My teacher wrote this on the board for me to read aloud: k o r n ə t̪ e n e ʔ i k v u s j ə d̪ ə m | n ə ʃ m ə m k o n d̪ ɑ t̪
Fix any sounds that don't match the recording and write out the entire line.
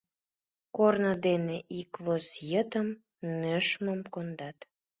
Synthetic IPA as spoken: k o r n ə d̪ e n e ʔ i k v o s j ə t̪ ə m | n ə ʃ m ə m k o n d̪ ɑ t̪